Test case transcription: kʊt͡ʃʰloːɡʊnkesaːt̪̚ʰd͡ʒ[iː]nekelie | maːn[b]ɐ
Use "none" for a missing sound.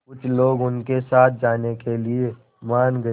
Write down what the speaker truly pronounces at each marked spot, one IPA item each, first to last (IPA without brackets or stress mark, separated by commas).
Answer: aː, ɡ